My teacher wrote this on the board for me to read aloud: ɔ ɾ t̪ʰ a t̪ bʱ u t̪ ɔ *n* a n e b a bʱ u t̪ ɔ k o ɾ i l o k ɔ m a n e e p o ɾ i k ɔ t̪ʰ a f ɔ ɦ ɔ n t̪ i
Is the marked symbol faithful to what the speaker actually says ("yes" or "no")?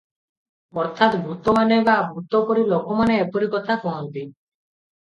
no